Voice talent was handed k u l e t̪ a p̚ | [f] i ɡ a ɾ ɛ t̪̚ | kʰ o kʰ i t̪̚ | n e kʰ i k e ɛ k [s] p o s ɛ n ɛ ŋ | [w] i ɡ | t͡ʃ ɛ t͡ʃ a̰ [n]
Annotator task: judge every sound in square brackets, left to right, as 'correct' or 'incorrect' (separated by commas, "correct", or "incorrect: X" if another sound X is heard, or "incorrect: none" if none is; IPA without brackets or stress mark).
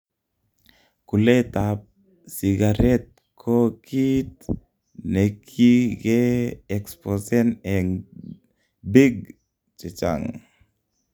incorrect: s, correct, incorrect: b, incorrect: ŋ